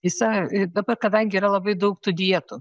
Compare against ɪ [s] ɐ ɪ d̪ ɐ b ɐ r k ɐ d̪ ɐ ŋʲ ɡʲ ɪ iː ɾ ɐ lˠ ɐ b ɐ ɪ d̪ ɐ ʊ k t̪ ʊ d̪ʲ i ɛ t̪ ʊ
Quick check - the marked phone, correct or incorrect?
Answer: correct